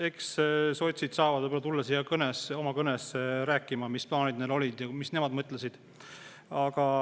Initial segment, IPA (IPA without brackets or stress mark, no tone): e̞